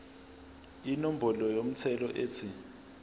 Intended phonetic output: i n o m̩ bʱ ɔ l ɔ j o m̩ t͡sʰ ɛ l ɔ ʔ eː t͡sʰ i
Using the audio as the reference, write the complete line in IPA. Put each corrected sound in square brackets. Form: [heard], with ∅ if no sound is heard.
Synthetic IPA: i n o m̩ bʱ ɔ l ɔ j o m̩ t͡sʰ ɛ l ɔ ʔ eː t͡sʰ i